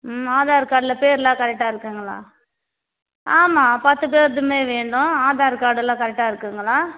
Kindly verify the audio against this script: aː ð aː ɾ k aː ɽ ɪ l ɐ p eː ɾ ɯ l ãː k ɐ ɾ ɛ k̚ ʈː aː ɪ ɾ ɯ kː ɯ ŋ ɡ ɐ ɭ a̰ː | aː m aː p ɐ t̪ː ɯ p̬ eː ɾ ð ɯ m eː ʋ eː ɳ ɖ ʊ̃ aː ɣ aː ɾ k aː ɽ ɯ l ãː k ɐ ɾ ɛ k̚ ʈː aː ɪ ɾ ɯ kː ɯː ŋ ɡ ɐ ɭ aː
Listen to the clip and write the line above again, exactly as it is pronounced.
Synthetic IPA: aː ð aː ɾ k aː ɽ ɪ l ɐ p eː ɾ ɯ l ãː k ɐ ɾ ɛ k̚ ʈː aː ɪ ɾ ɯ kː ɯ ŋ ɡ ɐ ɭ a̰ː | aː m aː p ɐ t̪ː ɯ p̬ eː ɾ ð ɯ m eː ʋ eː ɳ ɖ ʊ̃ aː ð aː ɾ k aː ɽ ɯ l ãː k ɐ ɾ ɛ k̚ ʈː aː ɪ ɾ ɯ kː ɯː ŋ ɡ ɐ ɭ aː

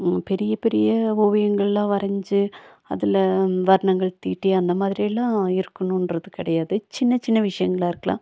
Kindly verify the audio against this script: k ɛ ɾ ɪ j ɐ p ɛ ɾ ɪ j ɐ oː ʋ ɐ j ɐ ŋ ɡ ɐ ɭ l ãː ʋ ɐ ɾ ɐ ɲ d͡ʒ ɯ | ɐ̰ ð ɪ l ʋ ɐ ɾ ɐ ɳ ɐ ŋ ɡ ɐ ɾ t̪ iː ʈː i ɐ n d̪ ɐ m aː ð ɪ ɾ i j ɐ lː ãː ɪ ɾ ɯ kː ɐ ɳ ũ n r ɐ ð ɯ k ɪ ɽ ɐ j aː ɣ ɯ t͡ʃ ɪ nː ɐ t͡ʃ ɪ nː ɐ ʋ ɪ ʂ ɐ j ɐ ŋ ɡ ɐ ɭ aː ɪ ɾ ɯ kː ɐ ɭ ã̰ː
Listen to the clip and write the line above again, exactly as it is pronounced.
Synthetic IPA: p ɛ ɾ ɪ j ɐ p ɛ ɾ ɪ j ɐ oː ʋ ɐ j ɐ ŋ ɡ ɐ ɭ l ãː ʋ ɐ ɾ ɐ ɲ d͡ʒ ɯ | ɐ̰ ð ɪ l ʋ ɐ ɾ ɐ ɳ ɐ ŋ ɡ ɐ ɭ t̪ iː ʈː i ɐ n d̪ ɐ m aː ð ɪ ɾ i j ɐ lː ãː ɪ ɾ ɯ kː ɐ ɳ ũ n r ɐ ð ɯ k ɪ ɽ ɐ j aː ð ɯ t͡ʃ ɪ nː ɐ t͡ʃ ɪ nː ɐ ʋ ɪ ʂ ɐ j ɐ ŋ ɡ ɐ ɭ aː ɪ ɾ ɯ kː ɐ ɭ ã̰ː

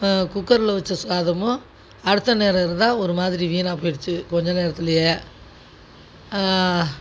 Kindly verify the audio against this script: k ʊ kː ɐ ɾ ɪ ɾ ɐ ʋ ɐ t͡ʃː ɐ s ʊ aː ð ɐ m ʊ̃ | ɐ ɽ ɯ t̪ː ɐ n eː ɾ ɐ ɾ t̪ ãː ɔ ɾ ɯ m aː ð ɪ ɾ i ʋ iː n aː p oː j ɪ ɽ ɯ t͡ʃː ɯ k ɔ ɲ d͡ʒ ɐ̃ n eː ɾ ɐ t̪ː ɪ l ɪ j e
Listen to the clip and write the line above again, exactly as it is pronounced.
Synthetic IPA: k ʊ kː ɐ ɾ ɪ l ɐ ʋ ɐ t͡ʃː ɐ s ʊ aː ð ɐ m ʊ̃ | ɐ ɽ ɯ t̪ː ɐ n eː ɾ ɐ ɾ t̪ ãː ɔ ɾ ɯ m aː ð ɪ ɾ i ʋ iː n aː p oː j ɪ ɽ ɯ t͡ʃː ɯ k ɔ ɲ d͡ʒ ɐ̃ n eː ɾ ɐ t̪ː ɪ l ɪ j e

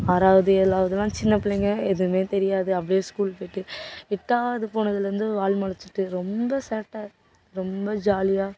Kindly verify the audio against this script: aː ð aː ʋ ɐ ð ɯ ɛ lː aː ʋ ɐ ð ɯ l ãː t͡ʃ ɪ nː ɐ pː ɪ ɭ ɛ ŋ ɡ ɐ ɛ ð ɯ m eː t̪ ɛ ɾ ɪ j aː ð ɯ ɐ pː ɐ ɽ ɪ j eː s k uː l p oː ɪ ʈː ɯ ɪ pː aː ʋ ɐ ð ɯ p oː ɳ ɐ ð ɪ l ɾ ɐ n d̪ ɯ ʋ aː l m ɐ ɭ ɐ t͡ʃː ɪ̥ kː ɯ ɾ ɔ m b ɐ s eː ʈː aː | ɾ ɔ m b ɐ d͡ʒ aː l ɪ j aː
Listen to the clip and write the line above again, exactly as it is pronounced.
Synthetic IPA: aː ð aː ʋ ɐ ð ɯ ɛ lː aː ʋ ɐ ð ɯ l ãː t͡ʃ ɪ nː ɐ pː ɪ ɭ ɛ ŋ ɡ ɐ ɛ ð ɯ m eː t̪ ɛ ɾ ɪ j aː ð ɯ ɐ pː ɐ ɽ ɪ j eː s k uː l p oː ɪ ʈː ɯ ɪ ʈː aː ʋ ɐ ð ɯ p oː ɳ ɐ ð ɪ l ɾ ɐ n d̪ ɯ ʋ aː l m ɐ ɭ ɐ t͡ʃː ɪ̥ ʈː ɯ ɾ ɔ m b ɐ s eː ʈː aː | ɾ ɔ m b ɐ d͡ʒ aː l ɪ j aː

